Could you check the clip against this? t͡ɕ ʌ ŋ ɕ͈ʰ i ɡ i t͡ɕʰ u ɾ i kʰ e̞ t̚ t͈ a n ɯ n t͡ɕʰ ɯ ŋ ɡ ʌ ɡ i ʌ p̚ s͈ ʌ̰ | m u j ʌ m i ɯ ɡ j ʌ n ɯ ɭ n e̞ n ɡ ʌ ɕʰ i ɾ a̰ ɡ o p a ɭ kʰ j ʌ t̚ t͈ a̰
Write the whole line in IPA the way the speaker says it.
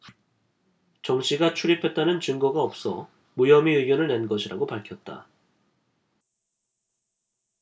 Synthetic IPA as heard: t͡ɕ ʌ ŋ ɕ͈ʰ i ɡ a t͡ɕʰ u ɾ i pʰ e̞ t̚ t͈ a n ɯ n t͡ɕ ɯ ŋ ɡ ʌ ɡ a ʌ p̚ s͈ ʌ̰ | m u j ʌ m i ɯ ɡ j ʌ n ɯ ɭ n e̞ n ɡ ʌ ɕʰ i ɾ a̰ ɡ o p a ɭ kʰ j ʌ t̚ t͈ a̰